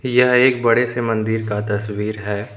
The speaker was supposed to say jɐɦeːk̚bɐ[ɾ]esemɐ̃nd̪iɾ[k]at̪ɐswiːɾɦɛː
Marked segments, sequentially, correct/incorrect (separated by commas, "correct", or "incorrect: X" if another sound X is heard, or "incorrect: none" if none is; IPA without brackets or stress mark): incorrect: ɽ, correct